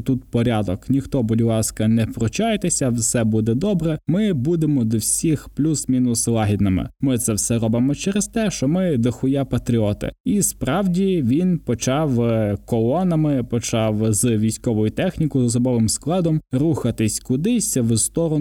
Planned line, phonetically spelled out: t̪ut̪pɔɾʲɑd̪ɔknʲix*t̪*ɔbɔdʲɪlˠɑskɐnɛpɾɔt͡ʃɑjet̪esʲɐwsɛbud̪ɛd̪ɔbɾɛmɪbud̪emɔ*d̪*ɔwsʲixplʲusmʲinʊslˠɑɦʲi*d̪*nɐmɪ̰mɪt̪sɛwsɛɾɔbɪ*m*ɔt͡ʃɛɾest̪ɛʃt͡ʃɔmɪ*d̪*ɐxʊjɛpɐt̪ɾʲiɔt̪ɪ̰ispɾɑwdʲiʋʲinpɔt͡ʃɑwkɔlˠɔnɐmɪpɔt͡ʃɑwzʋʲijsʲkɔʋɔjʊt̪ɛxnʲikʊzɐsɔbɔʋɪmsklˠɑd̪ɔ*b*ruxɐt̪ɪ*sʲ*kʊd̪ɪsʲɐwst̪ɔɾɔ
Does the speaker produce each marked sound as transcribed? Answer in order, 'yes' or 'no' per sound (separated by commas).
yes, yes, yes, yes, yes, no, yes